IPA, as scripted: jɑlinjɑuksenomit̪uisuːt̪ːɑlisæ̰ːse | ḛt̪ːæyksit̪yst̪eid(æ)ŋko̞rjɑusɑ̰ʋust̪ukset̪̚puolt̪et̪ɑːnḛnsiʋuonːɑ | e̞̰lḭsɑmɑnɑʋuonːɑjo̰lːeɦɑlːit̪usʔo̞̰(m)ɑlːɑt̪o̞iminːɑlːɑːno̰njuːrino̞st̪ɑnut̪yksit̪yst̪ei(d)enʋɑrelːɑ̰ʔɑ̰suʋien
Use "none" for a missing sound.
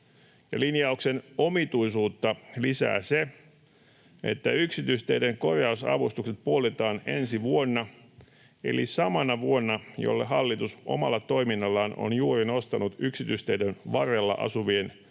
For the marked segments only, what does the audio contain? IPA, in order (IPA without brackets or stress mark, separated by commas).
e, m, d